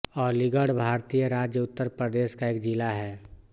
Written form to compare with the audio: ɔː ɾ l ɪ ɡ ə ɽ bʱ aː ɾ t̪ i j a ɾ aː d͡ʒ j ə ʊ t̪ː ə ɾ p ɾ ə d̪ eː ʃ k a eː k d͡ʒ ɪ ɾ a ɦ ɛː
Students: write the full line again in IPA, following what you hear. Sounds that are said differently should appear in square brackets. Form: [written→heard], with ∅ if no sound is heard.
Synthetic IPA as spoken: ɔː ɾ l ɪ ɡ ə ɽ bʱ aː ɾ t̪ i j [a→ə] ɾ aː d͡ʒ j ə ʊ t̪ː ə ɾ p ɾ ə d̪ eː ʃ k a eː k d͡ʒ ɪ [ɾ→l] a ɦ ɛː